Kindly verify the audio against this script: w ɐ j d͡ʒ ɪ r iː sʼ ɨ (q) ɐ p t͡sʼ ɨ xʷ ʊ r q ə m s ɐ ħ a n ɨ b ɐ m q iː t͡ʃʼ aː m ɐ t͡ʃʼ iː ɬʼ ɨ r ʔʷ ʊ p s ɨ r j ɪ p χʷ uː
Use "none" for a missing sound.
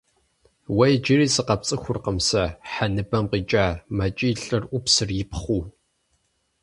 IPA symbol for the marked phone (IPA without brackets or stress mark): q